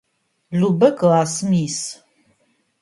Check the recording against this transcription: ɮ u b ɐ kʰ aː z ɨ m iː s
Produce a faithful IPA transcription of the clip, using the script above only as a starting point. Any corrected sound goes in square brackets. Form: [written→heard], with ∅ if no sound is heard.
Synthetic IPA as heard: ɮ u b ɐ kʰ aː [z→s] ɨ m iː s